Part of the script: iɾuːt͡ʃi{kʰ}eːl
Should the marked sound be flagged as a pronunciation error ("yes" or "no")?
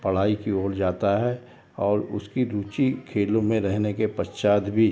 no